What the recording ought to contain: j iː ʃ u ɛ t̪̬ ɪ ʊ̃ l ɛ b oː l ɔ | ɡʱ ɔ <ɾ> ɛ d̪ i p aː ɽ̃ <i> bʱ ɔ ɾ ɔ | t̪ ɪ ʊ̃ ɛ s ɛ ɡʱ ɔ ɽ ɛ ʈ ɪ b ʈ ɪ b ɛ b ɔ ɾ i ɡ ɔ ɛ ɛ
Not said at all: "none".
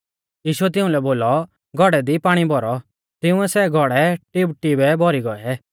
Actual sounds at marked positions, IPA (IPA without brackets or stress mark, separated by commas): ɽ, i